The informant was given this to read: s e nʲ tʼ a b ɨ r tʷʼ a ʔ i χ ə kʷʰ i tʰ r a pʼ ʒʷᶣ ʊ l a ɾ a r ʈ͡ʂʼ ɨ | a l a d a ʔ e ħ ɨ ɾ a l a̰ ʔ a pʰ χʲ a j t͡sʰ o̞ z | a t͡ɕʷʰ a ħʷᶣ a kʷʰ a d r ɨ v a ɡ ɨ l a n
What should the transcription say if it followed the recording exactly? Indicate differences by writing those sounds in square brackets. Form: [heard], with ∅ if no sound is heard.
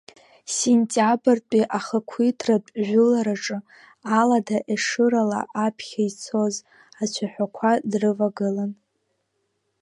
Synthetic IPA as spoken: s e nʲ tʼ a b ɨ r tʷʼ [i] ʔ [a] χ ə kʷʰ i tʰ r a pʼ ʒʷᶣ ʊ l a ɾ a [∅] ʈ͡ʂʼ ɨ | a l a d a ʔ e [ʂ] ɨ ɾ a l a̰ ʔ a pʰ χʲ a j t͡sʰ o̞ z | a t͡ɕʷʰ a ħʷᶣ a kʷʰ a d r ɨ v a ɡ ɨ l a n